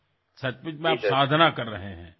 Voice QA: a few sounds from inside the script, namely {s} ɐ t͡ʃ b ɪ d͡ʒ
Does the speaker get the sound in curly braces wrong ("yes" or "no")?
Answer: no